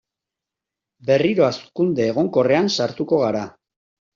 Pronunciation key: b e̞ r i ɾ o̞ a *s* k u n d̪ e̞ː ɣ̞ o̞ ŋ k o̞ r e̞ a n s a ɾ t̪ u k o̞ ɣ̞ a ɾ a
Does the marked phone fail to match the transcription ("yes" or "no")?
no